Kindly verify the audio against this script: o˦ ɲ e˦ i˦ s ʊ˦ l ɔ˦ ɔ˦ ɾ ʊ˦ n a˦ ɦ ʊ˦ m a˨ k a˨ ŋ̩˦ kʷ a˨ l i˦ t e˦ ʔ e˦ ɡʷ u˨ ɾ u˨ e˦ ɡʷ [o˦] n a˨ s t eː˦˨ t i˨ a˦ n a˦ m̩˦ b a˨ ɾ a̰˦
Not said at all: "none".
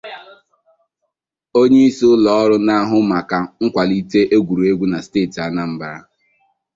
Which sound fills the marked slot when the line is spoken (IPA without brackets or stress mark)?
u˦